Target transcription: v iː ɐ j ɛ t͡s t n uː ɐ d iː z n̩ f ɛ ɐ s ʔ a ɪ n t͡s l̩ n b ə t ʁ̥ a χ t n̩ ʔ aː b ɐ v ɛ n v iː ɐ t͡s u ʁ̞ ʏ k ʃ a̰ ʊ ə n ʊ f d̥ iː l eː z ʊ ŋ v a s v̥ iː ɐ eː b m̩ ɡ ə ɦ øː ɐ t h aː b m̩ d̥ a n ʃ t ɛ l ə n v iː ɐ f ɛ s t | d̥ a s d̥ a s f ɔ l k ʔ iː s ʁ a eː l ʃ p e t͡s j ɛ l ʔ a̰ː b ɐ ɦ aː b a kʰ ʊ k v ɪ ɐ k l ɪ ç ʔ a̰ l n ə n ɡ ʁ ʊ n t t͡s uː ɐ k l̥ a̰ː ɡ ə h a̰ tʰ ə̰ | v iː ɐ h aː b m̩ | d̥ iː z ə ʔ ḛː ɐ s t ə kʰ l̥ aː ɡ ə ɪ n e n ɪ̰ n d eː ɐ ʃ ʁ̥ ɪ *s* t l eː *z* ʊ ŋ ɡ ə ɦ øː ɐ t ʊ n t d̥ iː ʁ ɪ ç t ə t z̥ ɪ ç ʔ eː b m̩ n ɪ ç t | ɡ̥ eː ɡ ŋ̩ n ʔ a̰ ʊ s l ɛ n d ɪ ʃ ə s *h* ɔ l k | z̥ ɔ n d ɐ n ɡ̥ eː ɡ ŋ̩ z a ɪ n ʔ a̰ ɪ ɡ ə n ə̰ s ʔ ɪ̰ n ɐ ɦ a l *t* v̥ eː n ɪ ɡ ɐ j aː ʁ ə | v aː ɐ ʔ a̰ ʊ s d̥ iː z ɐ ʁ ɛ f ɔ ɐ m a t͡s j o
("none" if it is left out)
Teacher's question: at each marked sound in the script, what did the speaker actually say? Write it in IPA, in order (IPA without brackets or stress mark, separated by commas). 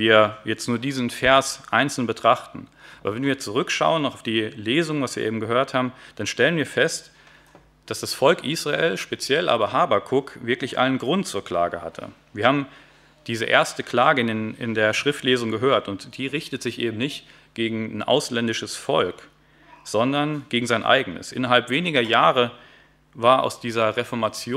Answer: f, z, f, p